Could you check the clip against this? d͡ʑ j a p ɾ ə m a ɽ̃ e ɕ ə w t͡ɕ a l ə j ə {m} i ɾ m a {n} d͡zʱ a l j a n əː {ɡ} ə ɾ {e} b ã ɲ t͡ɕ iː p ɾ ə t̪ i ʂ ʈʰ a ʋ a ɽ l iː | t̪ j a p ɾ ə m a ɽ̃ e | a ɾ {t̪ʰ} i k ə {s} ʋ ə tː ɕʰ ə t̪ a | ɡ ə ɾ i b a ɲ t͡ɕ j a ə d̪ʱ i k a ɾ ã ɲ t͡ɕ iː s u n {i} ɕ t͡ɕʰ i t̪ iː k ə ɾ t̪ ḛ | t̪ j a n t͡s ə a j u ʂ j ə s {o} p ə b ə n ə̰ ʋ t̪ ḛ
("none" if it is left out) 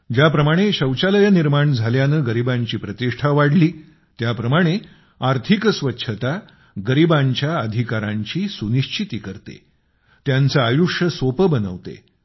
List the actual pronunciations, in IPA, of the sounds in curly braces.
n, ɳ, ɡ, i, t̪ʰ, s, i, o

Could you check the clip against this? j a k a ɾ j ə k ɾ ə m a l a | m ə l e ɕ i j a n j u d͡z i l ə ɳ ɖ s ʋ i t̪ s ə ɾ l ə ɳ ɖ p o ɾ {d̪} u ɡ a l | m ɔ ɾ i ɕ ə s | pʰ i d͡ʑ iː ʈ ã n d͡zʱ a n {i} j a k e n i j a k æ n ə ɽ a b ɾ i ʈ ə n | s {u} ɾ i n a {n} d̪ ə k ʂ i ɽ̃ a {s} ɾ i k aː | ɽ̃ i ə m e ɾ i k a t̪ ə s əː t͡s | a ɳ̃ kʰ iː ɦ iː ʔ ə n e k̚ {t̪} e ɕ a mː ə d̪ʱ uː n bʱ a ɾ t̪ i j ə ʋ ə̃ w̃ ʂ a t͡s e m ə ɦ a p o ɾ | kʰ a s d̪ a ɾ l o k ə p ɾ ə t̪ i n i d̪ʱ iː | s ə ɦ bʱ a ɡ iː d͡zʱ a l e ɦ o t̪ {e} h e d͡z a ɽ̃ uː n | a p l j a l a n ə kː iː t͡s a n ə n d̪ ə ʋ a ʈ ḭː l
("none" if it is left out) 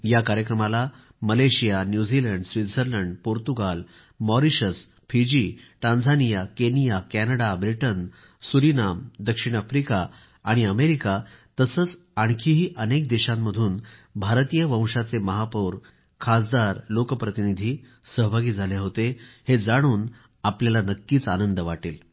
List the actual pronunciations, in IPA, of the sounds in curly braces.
t̪, i, u, m, f, d̪, e

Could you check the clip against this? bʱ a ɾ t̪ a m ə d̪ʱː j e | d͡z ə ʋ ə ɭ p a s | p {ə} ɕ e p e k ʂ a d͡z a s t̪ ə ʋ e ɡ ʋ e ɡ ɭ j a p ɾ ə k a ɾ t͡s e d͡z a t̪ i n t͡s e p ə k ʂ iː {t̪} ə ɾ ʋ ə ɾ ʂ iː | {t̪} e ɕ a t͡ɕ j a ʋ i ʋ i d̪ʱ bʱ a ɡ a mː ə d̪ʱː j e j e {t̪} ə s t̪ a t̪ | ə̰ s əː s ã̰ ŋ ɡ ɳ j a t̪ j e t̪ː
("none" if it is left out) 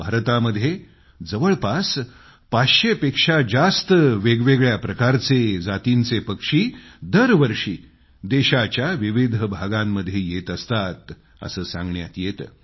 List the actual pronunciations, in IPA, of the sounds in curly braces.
a, d̪, d̪, t̪

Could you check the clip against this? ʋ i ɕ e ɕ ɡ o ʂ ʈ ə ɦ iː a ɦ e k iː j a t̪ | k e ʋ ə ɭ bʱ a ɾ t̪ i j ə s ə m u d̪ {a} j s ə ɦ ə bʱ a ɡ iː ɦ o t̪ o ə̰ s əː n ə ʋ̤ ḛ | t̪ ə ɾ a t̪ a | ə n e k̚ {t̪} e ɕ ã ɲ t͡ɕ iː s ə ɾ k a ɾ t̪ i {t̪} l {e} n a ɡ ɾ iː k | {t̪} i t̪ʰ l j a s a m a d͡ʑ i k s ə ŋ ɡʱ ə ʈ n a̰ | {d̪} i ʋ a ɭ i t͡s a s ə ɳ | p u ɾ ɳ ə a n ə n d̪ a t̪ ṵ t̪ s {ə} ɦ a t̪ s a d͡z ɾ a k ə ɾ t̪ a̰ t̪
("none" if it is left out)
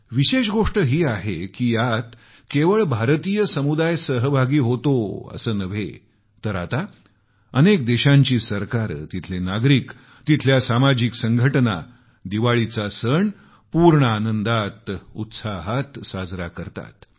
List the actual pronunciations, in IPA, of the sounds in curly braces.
a, d̪, t̪ʰ, e, t̪, d̪, a

